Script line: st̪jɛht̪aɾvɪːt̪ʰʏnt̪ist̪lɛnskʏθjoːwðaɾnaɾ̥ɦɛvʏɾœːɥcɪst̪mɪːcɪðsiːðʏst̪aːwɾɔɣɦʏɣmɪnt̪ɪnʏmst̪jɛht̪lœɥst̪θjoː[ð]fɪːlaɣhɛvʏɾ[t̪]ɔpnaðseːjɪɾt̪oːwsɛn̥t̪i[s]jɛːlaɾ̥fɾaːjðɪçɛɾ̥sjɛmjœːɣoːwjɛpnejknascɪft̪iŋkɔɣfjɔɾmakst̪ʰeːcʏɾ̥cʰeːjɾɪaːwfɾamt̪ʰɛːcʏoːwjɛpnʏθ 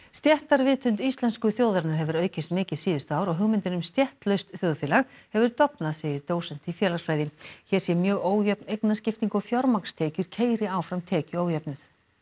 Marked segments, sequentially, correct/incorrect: correct, correct, incorrect

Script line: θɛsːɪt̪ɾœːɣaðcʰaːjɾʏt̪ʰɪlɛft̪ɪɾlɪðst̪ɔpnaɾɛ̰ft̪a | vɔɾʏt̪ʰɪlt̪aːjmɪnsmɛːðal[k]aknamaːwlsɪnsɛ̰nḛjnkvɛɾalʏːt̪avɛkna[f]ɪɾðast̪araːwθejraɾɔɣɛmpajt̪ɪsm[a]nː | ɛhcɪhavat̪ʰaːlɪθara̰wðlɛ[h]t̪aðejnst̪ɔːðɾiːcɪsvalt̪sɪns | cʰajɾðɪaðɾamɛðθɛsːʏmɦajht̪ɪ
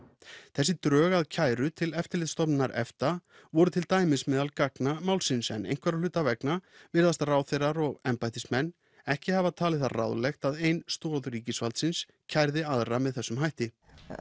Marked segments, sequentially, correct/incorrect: correct, incorrect, incorrect, incorrect

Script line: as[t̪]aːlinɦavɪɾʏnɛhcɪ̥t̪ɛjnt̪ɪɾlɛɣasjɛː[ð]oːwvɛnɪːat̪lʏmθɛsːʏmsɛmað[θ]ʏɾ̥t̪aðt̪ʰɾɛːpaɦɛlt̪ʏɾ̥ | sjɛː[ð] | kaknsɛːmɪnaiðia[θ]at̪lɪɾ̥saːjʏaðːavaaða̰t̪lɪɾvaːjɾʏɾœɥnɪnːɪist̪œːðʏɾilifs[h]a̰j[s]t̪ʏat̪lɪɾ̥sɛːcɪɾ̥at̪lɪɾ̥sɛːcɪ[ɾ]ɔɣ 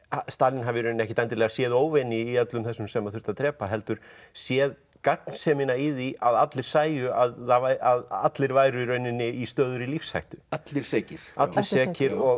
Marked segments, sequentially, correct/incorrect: correct, correct, correct, correct, incorrect, correct, incorrect, correct

